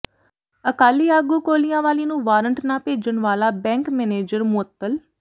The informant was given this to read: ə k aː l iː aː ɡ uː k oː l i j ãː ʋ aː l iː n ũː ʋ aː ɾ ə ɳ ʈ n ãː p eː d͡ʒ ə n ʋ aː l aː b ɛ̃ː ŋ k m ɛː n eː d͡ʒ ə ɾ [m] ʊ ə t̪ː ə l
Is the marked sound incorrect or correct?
correct